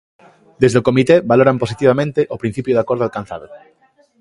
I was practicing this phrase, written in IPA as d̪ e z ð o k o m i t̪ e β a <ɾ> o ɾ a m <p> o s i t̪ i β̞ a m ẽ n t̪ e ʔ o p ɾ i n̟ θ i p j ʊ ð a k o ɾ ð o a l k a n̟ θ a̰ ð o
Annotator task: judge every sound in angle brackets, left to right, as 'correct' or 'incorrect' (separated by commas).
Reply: incorrect, correct